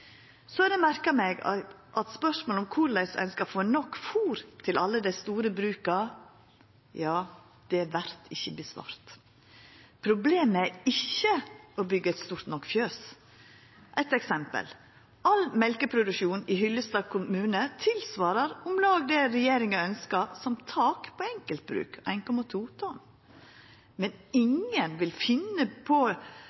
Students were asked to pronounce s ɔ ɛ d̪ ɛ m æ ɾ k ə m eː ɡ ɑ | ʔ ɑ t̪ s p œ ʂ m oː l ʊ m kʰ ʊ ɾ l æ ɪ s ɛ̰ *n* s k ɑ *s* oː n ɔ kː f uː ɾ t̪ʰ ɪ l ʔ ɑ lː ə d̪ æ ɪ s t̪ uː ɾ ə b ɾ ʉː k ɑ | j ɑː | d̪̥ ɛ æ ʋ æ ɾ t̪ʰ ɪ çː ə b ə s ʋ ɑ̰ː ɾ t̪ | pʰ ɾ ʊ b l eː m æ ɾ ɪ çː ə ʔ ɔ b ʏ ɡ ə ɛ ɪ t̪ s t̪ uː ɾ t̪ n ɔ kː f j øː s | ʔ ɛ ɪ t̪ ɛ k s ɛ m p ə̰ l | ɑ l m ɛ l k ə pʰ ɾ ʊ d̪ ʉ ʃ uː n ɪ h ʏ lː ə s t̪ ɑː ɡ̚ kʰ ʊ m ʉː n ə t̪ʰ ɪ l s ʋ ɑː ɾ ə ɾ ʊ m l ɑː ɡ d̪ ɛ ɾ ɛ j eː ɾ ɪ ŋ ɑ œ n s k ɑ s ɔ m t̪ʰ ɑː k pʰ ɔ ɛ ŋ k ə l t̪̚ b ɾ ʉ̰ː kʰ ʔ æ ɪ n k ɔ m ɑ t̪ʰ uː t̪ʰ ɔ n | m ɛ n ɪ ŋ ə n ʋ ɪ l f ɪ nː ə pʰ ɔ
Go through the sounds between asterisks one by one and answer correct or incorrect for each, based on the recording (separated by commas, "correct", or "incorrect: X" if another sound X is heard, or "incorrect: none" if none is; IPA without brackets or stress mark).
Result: correct, incorrect: f